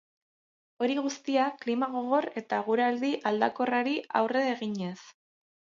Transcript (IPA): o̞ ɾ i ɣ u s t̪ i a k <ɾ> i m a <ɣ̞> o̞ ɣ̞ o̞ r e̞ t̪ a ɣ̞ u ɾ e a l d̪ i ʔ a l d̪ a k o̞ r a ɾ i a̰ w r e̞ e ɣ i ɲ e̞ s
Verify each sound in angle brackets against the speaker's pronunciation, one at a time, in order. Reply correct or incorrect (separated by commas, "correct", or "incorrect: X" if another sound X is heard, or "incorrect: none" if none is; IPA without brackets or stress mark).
incorrect: l, correct